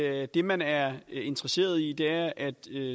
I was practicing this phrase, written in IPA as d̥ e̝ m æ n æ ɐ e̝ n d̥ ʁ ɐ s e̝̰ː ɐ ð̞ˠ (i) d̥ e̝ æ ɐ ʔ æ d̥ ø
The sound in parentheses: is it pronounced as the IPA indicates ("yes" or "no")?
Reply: yes